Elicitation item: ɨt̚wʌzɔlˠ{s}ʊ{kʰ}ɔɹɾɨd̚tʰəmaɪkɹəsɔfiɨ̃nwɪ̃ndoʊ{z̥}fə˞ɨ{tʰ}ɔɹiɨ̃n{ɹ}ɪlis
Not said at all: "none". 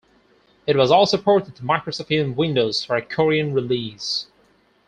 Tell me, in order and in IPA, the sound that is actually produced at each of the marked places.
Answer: s, pʰ, z̥, kʰ, ɹ

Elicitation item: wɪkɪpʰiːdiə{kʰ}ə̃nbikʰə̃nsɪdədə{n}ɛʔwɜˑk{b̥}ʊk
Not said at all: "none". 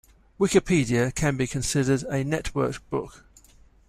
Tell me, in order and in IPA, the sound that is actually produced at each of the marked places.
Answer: kʰ, n, b̥

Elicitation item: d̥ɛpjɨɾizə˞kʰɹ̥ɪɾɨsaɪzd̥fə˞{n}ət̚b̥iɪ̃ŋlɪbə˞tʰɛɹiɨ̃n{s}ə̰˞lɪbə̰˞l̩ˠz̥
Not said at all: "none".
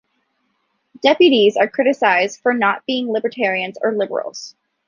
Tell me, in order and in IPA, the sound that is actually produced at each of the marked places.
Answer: n, z

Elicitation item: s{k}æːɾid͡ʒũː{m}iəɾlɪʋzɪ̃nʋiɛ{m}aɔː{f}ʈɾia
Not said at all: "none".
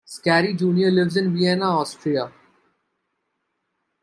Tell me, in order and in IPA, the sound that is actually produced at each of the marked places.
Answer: k, n, n, s

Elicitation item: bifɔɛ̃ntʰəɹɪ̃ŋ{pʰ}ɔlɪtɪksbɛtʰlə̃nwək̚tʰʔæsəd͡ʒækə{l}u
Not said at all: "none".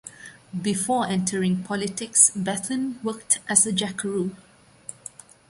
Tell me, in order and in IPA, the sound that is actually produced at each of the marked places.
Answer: pʰ, ɹ

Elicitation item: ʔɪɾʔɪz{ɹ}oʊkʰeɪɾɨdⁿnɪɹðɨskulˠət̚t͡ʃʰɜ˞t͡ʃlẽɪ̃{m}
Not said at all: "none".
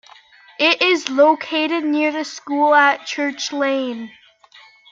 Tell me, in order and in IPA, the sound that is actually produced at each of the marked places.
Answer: l, n

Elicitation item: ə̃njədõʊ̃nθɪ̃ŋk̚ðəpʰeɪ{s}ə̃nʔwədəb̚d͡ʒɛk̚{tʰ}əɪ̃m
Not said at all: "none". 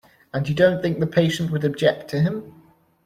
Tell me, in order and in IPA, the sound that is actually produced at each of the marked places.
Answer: ʃ, tʰ

